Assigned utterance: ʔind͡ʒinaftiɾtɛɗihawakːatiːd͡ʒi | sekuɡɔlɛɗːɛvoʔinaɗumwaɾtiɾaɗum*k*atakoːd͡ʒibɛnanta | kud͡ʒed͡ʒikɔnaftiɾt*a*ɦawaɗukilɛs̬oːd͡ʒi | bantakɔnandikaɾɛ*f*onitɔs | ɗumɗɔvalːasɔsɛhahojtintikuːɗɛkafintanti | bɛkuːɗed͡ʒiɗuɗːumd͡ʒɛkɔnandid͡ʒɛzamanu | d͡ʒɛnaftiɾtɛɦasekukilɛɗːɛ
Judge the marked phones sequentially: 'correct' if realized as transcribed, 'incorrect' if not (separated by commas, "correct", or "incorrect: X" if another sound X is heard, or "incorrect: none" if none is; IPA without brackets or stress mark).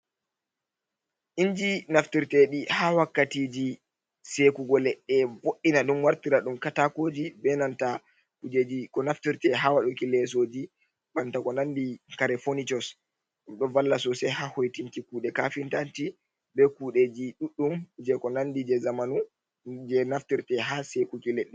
correct, incorrect: ɛ, correct